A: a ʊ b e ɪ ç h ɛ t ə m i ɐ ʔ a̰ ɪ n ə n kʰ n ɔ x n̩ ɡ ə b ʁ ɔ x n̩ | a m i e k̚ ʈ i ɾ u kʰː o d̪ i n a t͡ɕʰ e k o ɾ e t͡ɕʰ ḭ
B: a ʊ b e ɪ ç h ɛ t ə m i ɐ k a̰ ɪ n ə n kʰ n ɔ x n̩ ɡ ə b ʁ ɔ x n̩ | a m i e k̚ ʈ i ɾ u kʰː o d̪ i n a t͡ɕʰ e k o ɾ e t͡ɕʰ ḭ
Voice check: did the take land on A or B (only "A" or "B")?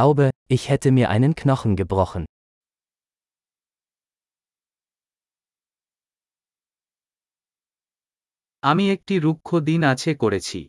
A